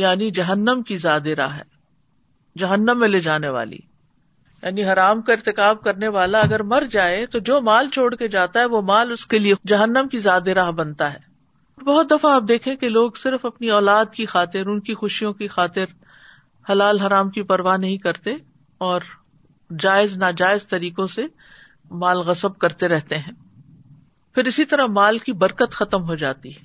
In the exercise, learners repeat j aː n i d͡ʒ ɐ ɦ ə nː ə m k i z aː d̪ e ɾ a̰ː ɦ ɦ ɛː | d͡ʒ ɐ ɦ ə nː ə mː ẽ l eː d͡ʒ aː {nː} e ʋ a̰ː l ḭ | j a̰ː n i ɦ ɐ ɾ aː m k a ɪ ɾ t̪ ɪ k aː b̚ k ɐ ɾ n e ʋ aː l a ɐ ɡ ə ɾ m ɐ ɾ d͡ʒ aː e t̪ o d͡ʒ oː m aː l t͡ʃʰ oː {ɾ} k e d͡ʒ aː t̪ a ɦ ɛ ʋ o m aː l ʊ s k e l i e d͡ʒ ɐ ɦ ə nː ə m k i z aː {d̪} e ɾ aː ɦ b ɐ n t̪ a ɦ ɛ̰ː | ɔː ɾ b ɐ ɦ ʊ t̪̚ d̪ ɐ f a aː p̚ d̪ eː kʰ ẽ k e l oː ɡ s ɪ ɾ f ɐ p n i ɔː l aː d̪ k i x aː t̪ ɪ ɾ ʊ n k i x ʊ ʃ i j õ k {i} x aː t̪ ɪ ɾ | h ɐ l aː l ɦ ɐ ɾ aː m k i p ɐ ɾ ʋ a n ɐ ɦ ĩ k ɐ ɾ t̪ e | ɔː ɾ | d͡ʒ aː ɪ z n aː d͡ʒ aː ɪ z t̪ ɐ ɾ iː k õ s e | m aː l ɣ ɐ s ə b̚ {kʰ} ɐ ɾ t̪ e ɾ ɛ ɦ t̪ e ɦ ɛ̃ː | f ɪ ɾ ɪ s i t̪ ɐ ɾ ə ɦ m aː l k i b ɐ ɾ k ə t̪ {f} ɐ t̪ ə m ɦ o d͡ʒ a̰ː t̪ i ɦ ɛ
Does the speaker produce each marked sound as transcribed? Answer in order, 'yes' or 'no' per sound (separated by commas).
no, no, yes, yes, no, no